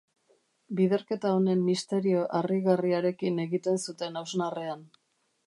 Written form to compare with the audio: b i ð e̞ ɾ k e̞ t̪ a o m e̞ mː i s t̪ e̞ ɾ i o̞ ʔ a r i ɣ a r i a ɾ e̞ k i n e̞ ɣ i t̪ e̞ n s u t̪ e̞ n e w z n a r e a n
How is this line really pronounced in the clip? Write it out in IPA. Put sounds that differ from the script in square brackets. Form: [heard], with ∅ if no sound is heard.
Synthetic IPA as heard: b i ð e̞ ɾ k e̞ t̪ a o [n] e̞ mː i s t̪ e̞ ɾ i o̞ ʔ a r i ɣ a r i a ɾ e̞ k i n e̞ ɣ i t̪ e̞ n s u t̪ e̞ n [a] w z n a r e a n